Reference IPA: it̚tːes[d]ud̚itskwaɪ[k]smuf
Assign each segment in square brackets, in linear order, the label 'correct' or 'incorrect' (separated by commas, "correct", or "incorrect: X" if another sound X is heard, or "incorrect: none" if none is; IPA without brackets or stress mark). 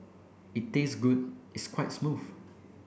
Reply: incorrect: ɡ, incorrect: t